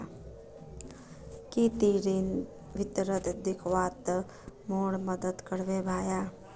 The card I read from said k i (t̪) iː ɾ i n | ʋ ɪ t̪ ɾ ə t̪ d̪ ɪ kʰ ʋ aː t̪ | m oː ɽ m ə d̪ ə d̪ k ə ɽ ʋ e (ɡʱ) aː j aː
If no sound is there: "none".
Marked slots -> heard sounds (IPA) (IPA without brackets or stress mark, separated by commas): t̪, bʱ